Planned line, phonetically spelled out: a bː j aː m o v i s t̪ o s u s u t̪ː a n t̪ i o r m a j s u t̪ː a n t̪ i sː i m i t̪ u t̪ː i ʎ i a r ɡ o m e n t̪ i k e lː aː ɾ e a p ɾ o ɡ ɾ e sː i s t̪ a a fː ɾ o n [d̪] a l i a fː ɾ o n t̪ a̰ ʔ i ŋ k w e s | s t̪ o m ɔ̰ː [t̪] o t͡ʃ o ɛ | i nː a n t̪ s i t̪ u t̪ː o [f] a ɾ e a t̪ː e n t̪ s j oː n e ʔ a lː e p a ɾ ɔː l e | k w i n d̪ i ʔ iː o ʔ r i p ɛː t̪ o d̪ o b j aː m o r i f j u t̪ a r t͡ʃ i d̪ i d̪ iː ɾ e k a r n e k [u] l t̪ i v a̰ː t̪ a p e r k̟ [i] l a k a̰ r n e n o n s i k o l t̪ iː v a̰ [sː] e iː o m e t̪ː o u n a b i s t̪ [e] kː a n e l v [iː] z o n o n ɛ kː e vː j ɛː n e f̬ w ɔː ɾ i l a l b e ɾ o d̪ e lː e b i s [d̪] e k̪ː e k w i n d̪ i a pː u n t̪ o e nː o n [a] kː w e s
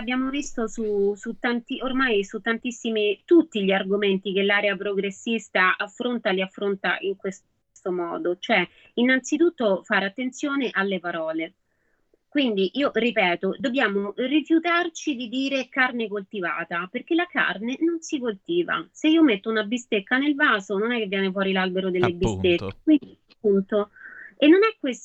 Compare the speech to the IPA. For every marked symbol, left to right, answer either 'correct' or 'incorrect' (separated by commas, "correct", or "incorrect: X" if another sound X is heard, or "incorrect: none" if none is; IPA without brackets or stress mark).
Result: incorrect: t̪, incorrect: d̪, correct, incorrect: o, incorrect: e, incorrect: s, correct, incorrect: aː, incorrect: t̪, incorrect: ɛ